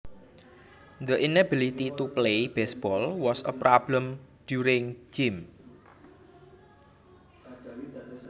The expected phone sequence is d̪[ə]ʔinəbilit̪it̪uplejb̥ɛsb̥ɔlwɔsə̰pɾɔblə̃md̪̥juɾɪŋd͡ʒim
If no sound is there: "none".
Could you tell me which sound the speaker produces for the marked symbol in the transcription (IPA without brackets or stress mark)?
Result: ə